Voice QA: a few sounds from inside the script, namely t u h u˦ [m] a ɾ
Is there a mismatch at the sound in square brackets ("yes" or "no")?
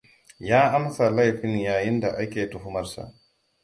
no